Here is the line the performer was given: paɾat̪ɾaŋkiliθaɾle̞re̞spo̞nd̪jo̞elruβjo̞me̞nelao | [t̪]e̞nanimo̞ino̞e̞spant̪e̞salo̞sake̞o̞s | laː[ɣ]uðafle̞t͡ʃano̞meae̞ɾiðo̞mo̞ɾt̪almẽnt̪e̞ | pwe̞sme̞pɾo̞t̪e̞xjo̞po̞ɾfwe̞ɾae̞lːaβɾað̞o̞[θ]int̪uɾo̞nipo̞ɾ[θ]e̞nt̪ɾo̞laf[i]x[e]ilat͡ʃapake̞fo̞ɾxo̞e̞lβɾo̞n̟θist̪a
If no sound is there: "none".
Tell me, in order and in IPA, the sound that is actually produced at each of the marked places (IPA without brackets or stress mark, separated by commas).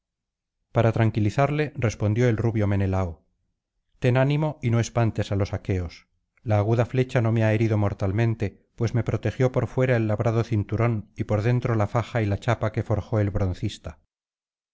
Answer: t̪, ɣ, θ, ð, a, a